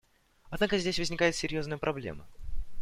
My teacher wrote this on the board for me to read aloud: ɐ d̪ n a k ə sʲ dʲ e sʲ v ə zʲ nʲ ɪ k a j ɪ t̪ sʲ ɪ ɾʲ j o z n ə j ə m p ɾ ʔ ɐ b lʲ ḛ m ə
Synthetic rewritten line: ɐ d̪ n a k ə zʲ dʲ e sʲ v ə zʲ nʲ ɪ k a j ɪ t̪ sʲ ɪ ɾʲ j o z n ə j ə p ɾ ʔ ɐ b lʲ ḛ m ə